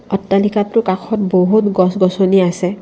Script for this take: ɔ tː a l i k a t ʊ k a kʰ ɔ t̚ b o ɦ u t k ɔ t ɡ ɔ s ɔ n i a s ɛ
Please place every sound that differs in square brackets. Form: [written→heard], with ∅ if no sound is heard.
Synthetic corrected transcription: ɔ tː a l i k a t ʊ k a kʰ ɔ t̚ b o ɦ u t [k→ɡ] ɔ [t→s] ɡ ɔ s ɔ n i a s ɛ